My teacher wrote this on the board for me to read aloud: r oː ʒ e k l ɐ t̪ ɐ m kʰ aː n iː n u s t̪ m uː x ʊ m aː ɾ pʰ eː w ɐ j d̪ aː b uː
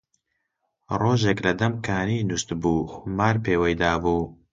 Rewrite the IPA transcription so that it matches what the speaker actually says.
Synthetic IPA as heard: r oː ʒ e k l ɐ d̪ ɐ m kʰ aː n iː n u s t̪ b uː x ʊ m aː ɾ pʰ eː w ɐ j d̪ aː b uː